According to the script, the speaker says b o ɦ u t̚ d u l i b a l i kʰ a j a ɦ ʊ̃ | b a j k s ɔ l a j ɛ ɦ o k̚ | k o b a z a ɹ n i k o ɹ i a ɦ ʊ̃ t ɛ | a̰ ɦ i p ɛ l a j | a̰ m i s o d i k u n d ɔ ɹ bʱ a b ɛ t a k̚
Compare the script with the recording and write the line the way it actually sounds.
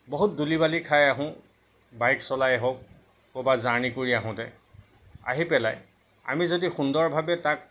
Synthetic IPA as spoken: b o ɦ u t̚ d u l i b a l i kʰ a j a ɦ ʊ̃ | b a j k s ɔ l a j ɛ ɦ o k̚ | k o b a z a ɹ n i k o ɹ i a ɦ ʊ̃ t ɛ | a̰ ɦ i p ɛ l a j | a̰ m i z o d i x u n d ɔ ɹ bʱ a b ɛ t a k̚